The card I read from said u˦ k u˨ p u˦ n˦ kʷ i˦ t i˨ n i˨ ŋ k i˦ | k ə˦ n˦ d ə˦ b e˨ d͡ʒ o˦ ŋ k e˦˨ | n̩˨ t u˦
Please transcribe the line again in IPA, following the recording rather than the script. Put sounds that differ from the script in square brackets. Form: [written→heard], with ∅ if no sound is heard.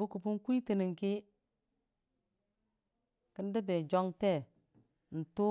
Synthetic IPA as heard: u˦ k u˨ p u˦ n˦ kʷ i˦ t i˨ n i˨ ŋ k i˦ | k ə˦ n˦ d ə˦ b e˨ d͡ʒ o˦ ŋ [k→t] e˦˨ | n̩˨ t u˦